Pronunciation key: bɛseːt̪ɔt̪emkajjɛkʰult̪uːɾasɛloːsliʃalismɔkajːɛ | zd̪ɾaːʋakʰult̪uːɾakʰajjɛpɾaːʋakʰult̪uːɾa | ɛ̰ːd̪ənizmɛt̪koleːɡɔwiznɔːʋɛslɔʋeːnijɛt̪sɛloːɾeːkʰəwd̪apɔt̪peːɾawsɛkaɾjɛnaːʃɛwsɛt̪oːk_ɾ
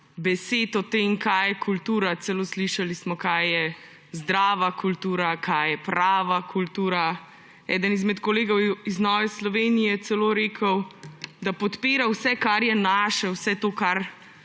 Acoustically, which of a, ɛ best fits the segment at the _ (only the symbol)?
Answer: a